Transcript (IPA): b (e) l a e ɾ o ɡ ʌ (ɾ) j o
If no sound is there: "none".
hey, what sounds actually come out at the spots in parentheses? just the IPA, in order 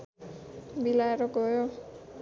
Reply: i, none

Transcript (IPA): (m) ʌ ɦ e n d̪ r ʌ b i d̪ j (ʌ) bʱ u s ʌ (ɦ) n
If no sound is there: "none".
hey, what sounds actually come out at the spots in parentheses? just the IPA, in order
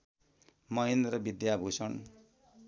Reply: m, a, none

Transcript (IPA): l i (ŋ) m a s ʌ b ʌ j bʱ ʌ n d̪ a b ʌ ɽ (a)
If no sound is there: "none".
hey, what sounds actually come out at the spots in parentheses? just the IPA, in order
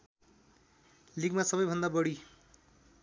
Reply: ɡ, i

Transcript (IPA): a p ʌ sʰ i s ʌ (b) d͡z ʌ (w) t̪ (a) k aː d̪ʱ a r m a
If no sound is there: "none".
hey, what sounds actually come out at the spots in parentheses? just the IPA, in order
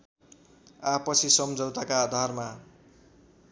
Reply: m, w, a

